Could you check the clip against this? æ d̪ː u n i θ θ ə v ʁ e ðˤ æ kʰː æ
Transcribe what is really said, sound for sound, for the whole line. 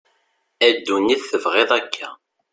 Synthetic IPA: æ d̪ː u n i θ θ ə v ʁ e ðˤ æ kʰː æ